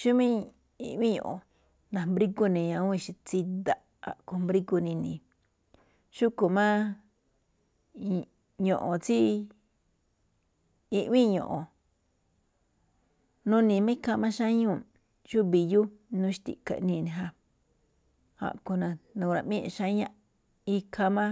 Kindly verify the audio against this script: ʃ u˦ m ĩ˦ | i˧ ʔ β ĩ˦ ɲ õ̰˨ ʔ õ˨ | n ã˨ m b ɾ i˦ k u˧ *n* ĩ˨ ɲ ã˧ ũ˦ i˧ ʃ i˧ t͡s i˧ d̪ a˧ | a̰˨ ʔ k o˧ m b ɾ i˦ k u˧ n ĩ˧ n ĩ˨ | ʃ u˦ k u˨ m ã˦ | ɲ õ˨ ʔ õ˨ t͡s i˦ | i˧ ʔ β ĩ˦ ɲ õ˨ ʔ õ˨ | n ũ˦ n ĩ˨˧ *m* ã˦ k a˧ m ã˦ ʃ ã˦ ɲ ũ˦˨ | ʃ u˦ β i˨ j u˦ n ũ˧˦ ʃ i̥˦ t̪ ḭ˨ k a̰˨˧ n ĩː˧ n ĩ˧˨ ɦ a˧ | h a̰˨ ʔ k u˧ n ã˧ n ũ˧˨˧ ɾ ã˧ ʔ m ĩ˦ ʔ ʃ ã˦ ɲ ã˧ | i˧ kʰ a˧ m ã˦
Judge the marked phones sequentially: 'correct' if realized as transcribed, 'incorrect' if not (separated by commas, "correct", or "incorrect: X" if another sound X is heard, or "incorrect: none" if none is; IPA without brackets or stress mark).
correct, correct